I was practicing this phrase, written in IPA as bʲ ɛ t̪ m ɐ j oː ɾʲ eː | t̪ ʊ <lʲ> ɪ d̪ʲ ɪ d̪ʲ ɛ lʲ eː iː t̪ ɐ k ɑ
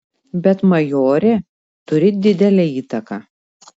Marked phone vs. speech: incorrect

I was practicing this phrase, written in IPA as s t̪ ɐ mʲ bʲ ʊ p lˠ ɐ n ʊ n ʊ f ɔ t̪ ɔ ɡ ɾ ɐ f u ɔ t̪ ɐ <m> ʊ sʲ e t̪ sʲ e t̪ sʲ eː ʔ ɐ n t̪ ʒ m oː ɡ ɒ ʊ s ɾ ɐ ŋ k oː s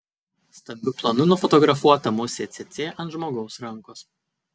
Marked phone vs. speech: correct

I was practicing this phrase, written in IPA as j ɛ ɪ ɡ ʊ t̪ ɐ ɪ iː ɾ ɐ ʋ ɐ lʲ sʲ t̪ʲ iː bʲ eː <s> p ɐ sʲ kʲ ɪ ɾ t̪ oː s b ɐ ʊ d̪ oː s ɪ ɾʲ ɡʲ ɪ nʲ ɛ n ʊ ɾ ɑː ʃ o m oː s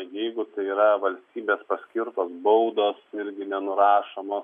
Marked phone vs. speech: correct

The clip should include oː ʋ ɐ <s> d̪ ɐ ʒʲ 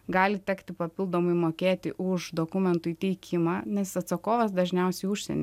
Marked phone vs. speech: correct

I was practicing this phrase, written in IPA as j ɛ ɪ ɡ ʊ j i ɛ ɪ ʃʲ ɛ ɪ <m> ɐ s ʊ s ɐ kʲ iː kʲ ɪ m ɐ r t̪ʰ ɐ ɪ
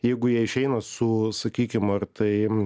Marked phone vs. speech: incorrect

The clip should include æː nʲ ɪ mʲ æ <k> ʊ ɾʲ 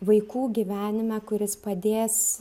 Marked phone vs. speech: correct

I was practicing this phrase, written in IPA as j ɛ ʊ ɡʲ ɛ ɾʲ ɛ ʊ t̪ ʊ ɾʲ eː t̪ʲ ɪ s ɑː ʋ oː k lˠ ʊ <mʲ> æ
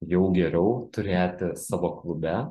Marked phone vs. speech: incorrect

